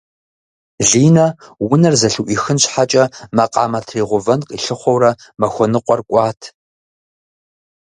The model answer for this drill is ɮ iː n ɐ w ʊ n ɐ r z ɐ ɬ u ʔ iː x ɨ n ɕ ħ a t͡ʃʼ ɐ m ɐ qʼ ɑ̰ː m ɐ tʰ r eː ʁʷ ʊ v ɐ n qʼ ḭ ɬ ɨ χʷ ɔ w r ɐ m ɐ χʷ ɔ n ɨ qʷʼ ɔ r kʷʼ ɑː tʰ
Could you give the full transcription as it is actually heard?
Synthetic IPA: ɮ iː n ɐ w ʊ n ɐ r z ɐ ɬ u ʔ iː x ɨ n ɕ ħ a t͡ʃʼ ɐ m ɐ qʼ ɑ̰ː m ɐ tʰ r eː ʁʷ ʊ v ɐ n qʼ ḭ ɬ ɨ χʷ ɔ w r ɐ m ɐ xʷ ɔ n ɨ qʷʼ ɔ r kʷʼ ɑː tʰ